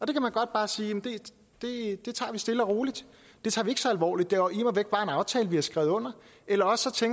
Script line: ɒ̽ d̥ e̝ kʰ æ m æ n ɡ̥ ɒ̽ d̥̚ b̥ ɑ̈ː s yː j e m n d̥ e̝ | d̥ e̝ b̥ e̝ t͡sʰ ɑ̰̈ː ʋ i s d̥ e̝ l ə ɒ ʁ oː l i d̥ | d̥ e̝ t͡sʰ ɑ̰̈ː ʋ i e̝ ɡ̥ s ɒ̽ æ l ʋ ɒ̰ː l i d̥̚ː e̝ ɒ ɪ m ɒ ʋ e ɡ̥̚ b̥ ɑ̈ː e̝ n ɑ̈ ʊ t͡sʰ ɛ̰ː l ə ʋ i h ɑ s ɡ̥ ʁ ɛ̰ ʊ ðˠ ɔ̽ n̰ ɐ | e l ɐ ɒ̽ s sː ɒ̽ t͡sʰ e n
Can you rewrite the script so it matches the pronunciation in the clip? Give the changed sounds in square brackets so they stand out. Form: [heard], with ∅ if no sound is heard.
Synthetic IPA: ɒ̽ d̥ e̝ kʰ æ m æ n ɡ̥ ɒ̽ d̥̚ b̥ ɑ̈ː s [iː] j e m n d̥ e̝ | d̥ e̝ [d̥] e̝ t͡sʰ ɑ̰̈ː ʋ i s d̥ e̝ l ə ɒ ʁ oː l i d̥ | d̥ e̝ t͡sʰ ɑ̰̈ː ʋ i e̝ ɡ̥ s ɒ̽ æ l ʋ ɒ̰ː l i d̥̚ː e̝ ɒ [i] m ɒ ʋ e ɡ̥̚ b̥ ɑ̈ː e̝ n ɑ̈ ʊ t͡sʰ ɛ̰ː l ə ʋ i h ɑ s ɡ̥ ʁ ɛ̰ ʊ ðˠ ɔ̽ n̰ ɐ | e l ɐ ɒ̽ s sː ɒ̽ t͡sʰ e [ŋ]